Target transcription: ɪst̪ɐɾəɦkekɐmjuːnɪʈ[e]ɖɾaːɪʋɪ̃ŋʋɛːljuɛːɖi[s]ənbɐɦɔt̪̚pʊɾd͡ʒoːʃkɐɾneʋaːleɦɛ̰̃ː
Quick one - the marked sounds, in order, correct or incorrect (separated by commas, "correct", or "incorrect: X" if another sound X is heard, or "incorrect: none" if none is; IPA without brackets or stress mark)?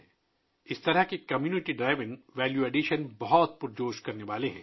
incorrect: i, incorrect: ʃ